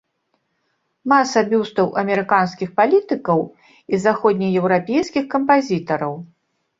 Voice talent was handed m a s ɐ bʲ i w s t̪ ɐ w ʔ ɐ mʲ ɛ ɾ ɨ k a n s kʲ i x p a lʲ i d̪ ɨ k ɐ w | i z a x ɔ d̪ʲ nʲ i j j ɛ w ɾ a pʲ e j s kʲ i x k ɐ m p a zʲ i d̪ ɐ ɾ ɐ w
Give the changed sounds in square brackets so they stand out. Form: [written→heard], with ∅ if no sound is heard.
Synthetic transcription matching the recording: m a s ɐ bʲ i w s t̪ ɐ w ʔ ɐ mʲ ɛ ɾ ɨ k a n s kʲ i x p a lʲ i [d̪→t̪] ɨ k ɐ w | i z a x ɔ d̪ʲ nʲ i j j ɛ w ɾ a pʲ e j s kʲ i x k ɐ m p a zʲ i [d̪→t̪] ɐ ɾ ɐ w